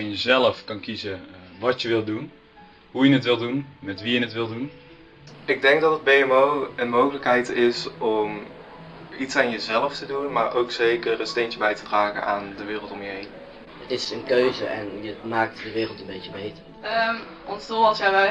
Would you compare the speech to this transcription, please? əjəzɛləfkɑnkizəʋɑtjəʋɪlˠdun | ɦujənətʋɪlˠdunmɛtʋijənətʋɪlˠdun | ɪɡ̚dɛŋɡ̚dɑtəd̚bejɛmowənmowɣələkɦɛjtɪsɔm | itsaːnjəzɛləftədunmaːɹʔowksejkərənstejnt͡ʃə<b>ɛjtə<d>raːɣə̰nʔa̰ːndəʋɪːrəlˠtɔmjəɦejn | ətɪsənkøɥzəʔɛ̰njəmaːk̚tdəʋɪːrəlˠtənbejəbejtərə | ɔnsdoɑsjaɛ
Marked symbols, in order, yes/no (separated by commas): yes, yes